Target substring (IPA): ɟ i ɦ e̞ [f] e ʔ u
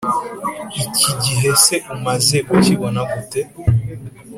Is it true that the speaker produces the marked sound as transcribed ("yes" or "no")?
no